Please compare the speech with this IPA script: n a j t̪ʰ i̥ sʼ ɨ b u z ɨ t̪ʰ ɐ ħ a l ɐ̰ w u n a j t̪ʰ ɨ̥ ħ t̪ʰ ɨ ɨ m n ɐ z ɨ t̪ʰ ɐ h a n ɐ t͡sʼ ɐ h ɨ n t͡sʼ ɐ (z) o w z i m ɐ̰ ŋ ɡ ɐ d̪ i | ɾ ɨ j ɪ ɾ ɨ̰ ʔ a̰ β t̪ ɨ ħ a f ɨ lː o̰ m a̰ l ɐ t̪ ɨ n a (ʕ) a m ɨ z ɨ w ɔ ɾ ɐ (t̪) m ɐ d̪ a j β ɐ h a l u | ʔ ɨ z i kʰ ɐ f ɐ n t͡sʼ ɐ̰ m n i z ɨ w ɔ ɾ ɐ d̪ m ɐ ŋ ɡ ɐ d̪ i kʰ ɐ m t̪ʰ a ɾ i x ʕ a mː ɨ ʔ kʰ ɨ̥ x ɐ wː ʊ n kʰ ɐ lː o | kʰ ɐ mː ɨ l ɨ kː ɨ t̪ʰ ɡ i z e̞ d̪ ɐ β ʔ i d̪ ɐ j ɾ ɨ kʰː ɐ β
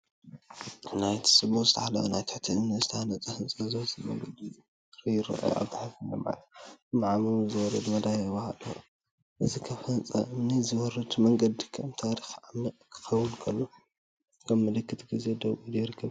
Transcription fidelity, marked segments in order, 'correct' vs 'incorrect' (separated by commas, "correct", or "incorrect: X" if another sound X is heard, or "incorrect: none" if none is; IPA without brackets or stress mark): correct, correct, incorrect: d̪